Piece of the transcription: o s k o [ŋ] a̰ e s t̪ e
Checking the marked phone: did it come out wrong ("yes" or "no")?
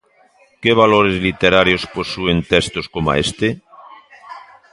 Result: yes